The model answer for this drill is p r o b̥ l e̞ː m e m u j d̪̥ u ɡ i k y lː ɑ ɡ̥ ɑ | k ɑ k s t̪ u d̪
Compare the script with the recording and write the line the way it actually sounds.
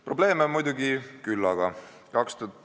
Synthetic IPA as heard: p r o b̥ l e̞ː m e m u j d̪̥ u ɡ i k y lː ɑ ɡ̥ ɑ | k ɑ k s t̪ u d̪